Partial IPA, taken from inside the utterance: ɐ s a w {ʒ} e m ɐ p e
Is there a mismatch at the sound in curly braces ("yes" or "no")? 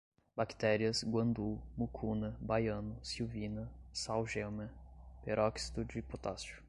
no